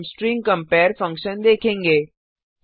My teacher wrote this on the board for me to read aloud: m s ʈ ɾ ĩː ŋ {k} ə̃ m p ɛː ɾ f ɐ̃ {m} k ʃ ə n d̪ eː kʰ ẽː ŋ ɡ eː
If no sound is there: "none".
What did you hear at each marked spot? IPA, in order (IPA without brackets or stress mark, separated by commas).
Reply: k, ŋ